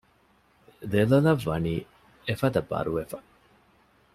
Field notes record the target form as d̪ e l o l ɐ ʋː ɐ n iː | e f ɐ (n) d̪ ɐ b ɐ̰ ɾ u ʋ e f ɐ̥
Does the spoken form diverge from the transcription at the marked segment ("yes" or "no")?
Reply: yes